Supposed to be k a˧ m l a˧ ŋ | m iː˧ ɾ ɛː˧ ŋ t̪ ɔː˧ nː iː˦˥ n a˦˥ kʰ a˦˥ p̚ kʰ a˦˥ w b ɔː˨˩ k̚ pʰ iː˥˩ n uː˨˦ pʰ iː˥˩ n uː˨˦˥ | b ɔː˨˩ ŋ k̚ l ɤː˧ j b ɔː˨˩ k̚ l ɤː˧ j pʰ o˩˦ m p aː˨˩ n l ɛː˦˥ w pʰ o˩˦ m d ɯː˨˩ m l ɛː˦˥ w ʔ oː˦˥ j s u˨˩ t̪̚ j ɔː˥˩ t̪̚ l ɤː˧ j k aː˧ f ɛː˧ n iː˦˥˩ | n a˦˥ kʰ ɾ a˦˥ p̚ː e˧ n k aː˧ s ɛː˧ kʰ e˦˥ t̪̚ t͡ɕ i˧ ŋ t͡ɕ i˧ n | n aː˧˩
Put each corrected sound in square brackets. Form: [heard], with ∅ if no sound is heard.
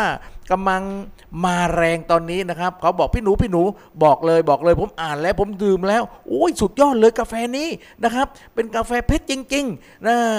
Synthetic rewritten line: k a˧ m l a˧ ŋ | m [aː˧] ɾ ɛː˧ ŋ t̪ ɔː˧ nː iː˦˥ n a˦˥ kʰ a˦˥ p̚ kʰ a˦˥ w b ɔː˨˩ k̚ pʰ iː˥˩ n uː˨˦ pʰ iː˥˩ n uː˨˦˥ | b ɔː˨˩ [∅] k̚ l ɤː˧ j b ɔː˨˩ k̚ l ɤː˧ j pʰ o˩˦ m [ʔ] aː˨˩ n l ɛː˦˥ w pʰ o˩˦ m d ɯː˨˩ m l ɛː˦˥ w ʔ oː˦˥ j s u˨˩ t̪̚ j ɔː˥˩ t̪̚ l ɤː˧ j k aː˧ f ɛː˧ n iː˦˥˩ | n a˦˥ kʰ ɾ a˦˥ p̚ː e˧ n k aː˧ [f] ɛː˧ [pʰ] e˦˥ t̪̚ t͡ɕ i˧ ŋ t͡ɕ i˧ [ŋ] | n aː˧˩